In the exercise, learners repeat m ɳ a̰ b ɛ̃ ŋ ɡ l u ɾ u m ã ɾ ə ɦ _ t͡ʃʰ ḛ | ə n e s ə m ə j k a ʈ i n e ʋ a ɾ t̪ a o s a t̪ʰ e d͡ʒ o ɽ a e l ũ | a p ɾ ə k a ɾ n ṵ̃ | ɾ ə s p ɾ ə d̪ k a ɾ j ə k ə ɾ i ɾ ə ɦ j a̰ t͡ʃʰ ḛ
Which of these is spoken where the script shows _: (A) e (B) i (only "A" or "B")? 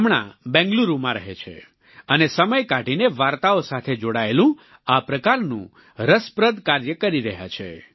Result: A